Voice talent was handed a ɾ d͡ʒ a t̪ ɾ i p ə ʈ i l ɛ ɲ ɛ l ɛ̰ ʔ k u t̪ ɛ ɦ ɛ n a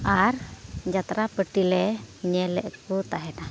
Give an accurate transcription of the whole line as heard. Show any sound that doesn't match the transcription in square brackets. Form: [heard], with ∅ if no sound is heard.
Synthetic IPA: a ɾ d͡ʒ a t̪ ɾ [a] p ə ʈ i l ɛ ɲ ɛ l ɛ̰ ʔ k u t̪ [a] ɦ ɛ n a